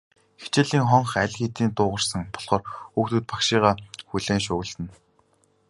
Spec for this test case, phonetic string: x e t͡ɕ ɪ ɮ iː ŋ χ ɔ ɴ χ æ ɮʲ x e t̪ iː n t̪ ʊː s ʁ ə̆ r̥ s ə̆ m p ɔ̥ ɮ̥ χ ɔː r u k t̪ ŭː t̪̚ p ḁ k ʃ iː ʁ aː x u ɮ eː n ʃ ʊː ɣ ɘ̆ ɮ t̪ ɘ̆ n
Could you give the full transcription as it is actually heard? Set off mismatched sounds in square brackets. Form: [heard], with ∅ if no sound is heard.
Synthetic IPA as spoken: x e t͡ɕ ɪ ɮ iː ŋ χ ɔ ɴ χ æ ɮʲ x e t̪ iː n t̪ ʊː [∅] ʁ ə̆ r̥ s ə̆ [ŋ] p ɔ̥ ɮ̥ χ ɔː r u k t̪ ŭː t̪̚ p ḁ k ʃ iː ʁ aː x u ɮ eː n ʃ ʊː ɣ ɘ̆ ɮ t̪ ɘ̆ n